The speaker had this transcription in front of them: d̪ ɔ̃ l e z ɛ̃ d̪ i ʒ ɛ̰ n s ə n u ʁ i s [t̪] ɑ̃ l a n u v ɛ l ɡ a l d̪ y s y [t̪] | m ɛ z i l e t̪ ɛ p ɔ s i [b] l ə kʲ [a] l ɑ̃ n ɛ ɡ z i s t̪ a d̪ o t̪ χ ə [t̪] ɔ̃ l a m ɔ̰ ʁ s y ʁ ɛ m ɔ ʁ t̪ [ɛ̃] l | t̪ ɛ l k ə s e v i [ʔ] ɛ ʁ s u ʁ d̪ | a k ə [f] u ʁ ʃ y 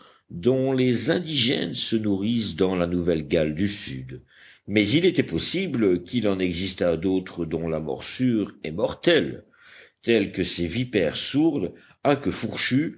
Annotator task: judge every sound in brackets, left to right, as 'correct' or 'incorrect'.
incorrect, incorrect, correct, incorrect, incorrect, incorrect, incorrect, correct

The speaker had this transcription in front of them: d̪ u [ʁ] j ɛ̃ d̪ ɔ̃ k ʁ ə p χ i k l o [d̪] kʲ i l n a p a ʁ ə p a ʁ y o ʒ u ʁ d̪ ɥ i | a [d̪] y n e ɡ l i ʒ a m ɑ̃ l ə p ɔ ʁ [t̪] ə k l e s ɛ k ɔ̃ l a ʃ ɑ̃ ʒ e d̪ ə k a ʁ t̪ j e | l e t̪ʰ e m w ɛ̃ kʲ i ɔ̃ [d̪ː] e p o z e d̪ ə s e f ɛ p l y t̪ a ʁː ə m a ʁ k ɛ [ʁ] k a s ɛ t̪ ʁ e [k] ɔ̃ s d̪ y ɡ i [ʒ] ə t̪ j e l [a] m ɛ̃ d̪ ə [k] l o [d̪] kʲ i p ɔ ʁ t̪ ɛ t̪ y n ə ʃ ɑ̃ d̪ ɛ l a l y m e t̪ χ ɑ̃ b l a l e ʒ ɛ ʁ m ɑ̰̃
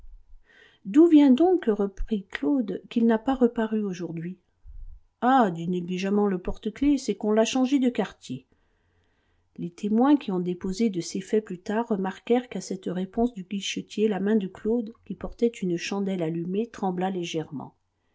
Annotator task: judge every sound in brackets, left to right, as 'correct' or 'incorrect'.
incorrect, correct, correct, correct, incorrect, correct, incorrect, incorrect, correct, correct, correct

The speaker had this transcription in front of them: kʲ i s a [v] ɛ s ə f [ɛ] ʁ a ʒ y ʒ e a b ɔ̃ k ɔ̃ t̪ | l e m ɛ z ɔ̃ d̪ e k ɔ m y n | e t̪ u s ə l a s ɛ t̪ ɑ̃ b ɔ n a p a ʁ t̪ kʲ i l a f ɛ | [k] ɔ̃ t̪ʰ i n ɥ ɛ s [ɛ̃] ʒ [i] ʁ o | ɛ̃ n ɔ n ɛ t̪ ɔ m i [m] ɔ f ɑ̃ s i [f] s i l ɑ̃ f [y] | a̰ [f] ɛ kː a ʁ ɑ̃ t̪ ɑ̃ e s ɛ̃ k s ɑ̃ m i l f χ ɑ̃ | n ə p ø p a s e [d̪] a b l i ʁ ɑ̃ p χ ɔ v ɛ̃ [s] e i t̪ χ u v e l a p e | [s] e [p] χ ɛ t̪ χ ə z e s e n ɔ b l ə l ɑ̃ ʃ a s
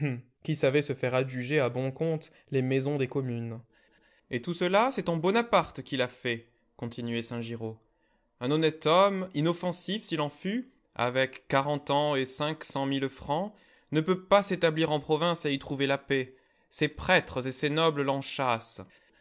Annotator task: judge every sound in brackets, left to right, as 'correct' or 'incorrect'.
correct, correct, correct, correct, correct, incorrect, correct, correct, incorrect, incorrect, correct, correct, correct

